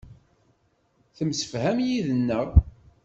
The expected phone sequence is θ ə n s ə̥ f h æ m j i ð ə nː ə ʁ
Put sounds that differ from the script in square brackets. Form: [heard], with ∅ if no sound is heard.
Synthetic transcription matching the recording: θ ə [m] s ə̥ f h æ m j i ð ə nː ə ʁ